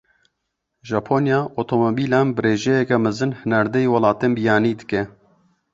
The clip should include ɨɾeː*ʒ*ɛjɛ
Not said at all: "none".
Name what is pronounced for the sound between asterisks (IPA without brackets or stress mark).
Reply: ʒ